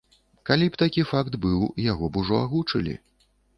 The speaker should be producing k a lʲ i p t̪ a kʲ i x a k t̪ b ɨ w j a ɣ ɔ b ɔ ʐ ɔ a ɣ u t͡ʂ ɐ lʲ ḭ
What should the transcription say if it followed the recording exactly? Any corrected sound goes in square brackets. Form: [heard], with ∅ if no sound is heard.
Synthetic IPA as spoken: k a lʲ i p t̪ a kʲ i [f] a k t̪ b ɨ w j a ɣ ɔ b [u] ʐ ɔ a ɣ u t͡ʂ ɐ lʲ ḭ